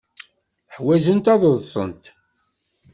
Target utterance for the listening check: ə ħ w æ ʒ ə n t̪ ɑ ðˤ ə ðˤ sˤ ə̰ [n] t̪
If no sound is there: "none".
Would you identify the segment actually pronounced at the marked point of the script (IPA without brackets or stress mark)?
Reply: n